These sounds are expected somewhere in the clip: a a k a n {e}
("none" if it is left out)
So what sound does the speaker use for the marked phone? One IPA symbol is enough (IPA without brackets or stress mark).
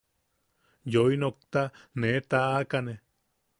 e